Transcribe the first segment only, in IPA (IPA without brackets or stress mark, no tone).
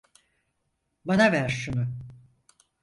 b